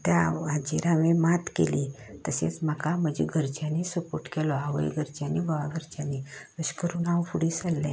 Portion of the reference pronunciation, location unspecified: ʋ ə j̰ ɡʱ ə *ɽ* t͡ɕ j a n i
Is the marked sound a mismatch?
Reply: yes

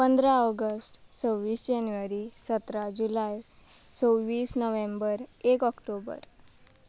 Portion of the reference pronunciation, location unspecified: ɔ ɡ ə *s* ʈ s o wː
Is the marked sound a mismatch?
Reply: no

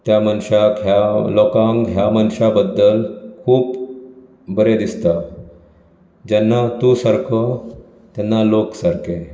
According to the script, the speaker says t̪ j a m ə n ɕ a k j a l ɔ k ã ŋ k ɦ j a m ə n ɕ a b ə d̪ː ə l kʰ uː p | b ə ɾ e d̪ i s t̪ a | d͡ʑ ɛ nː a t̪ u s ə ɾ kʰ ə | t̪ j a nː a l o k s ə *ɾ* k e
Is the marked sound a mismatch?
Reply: no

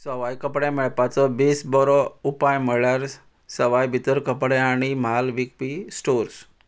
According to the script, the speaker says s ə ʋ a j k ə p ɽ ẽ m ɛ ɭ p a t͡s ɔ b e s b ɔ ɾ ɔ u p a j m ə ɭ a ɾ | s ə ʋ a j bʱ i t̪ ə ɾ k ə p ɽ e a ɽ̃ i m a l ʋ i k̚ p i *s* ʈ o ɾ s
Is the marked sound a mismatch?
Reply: no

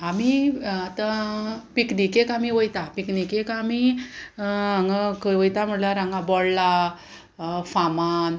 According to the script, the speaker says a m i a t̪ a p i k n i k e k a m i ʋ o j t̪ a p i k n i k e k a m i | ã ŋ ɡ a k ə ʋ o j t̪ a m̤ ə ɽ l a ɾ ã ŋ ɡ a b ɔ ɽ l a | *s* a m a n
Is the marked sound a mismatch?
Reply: yes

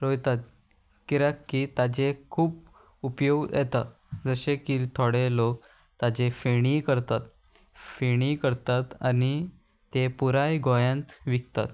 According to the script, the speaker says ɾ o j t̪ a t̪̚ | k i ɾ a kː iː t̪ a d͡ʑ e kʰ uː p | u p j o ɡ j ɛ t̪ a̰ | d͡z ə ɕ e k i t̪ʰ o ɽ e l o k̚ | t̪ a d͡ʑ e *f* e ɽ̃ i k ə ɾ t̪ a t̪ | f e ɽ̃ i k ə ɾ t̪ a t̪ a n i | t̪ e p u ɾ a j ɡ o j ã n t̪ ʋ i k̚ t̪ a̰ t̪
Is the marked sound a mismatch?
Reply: no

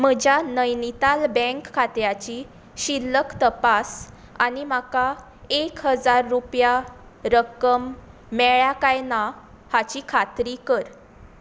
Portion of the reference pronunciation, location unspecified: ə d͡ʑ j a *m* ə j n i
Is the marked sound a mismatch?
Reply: yes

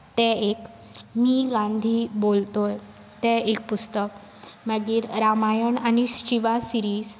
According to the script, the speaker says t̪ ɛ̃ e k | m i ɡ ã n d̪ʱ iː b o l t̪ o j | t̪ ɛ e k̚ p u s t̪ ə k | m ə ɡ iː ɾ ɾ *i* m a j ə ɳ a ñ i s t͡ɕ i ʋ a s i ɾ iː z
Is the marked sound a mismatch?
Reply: yes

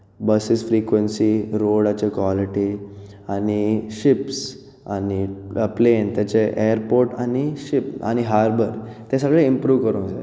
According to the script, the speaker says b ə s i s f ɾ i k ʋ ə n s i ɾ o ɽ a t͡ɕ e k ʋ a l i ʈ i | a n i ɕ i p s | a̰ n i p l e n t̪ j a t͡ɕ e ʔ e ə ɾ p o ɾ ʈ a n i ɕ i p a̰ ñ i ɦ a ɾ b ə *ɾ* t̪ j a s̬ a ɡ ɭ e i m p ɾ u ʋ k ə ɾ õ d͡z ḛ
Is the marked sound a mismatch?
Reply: no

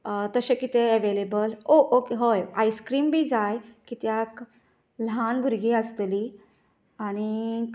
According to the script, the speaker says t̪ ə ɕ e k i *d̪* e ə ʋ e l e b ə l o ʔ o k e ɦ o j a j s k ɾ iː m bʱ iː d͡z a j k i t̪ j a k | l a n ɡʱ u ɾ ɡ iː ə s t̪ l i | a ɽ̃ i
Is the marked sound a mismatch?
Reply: yes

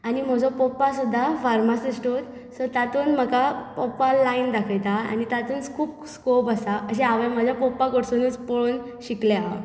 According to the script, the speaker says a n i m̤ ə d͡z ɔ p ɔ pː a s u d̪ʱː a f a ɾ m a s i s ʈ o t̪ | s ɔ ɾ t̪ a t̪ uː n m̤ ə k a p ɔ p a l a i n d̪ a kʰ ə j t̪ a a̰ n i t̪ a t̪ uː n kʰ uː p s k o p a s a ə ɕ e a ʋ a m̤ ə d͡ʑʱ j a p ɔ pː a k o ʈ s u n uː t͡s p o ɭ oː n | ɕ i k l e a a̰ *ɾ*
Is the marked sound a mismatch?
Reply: yes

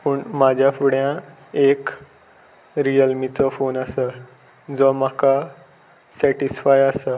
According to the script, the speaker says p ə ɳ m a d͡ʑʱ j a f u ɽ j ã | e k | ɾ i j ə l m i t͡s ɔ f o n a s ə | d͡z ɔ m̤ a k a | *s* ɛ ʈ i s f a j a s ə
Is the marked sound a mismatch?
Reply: no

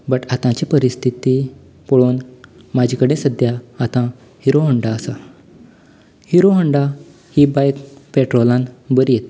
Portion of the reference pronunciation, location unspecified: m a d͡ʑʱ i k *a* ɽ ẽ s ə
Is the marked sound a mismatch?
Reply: yes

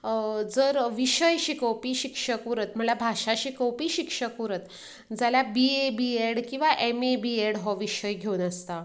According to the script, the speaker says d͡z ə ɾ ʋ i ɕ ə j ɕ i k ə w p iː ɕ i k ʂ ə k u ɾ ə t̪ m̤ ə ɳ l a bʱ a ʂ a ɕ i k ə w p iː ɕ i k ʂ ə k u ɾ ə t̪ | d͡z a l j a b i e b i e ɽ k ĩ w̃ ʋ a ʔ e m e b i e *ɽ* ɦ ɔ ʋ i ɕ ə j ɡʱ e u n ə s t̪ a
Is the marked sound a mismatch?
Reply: no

